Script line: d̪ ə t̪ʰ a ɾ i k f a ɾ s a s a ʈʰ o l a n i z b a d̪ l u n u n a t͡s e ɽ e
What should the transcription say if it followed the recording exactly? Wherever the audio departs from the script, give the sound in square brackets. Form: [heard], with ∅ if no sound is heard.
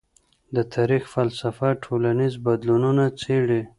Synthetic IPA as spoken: d̪ ə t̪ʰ a ɾ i [x] f a [l] s a [f] a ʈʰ o l a n i z b a d̪ l u n u n a t͡s e ɽ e